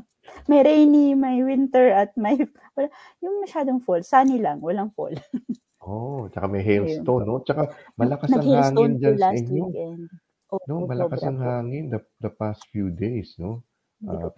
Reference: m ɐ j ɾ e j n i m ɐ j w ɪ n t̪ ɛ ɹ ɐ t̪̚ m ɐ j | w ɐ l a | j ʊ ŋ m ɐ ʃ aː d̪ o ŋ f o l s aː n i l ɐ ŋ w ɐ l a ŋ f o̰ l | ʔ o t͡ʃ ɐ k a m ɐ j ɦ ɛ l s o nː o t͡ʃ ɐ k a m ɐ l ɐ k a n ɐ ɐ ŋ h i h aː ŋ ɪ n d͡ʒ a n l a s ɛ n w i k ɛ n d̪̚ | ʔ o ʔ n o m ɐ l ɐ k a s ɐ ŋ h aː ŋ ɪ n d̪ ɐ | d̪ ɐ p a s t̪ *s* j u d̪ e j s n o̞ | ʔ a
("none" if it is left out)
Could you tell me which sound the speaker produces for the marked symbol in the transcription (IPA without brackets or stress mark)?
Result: f